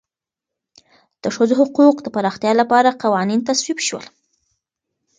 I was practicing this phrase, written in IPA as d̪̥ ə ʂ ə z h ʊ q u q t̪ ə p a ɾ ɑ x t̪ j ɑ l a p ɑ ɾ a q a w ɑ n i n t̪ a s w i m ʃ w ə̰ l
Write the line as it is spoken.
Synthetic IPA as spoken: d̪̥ ə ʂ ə z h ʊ q u q d̪ ə p a ɾ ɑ x t̪ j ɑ l a p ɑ ɾ a q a w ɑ n i n t̪ a s w i b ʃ w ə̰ l